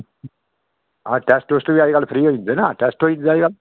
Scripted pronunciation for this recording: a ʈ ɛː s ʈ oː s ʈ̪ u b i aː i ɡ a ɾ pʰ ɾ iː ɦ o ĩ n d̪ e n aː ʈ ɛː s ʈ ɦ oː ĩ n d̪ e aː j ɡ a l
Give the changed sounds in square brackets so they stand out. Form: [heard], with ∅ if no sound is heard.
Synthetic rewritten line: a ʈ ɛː s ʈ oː s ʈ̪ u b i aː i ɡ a [l] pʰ ɾ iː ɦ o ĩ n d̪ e n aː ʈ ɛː s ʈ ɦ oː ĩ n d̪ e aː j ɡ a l